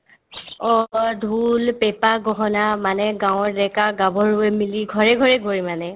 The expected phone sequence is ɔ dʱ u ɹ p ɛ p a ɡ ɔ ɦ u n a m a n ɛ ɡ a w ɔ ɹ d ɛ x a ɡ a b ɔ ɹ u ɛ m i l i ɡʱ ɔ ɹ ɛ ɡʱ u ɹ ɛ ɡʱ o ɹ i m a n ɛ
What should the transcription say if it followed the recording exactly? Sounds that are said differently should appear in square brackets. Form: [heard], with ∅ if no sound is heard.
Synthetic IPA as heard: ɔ dʱ u [l] p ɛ p a ɡ ɔ ɦ [ɔ] n a m a n ɛ ɡ a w ɔ ɹ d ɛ [k] a ɡ a b ɔ ɹ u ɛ m i l i ɡʱ ɔ ɹ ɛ ɡʱ [ɔ] ɹ ɛ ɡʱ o ɹ i m a n ɛ